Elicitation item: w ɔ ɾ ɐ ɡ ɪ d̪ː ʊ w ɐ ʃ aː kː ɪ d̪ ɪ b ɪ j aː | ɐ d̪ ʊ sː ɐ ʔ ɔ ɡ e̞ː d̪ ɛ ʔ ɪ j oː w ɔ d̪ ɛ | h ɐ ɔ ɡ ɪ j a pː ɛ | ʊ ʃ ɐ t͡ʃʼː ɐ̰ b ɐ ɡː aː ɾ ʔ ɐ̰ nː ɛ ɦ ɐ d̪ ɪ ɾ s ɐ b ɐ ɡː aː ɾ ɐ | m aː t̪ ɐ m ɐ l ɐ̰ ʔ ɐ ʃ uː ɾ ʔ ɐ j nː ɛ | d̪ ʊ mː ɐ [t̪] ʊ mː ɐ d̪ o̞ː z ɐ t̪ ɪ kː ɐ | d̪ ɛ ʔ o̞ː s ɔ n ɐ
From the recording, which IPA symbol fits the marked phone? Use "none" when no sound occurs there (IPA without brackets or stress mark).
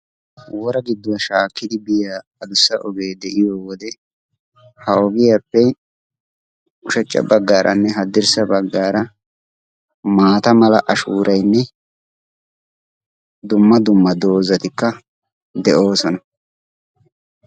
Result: d̪